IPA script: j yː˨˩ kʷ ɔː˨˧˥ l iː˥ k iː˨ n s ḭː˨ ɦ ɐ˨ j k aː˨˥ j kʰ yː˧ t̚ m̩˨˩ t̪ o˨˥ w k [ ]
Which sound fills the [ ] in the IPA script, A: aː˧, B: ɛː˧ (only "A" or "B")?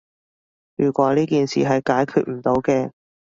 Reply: B